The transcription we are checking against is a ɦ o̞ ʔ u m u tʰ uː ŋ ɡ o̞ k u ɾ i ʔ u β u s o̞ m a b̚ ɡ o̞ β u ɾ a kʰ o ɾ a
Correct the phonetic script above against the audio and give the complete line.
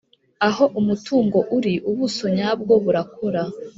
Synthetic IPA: a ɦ o̞ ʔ u m u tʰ uː ŋ ɡ o̞ ʔ u ɾ i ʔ u β u s o̞ ɲ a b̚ ɡ o̞ β u ɾ a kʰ o ɾ a